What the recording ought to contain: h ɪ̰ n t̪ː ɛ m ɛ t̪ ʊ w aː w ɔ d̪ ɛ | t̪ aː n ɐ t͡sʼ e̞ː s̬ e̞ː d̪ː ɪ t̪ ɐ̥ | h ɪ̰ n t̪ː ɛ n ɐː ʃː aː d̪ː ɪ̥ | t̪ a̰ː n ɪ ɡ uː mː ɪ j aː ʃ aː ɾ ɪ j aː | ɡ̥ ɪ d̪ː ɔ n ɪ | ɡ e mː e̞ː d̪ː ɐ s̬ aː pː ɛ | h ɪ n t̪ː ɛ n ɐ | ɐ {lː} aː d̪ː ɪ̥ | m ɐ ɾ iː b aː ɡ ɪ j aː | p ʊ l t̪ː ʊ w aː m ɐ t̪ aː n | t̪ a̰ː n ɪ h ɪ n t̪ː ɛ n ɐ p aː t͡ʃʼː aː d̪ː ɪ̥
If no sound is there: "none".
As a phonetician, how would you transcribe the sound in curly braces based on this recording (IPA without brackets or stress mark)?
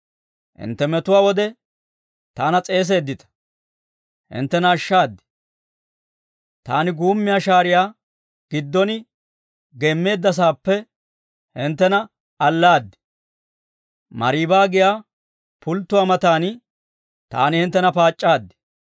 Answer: lː